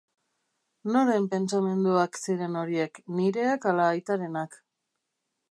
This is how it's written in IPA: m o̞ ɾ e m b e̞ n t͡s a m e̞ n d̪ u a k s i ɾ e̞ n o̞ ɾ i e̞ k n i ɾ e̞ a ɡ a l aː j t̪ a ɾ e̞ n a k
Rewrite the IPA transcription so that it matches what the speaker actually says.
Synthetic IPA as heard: n o̞ ɾ e m p e̞ n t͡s a m e̞ n d̪ u a k s i ɾ e̞ n o̞ ɾ i e̞ k n i ɾ e̞ a k a l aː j t̪ a ɾ e̞ n a k